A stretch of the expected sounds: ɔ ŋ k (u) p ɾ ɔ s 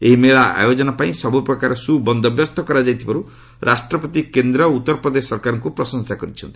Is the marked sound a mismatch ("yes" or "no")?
no